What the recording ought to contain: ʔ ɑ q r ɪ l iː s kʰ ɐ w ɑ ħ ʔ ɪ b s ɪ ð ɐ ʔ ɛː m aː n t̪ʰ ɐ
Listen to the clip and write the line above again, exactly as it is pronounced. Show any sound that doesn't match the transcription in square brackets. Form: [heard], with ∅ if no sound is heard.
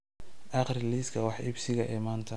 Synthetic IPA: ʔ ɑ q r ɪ l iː s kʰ ɐ w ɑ ħ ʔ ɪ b s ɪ [ɣ] ɐ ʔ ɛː m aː n t̪ʰ ɐ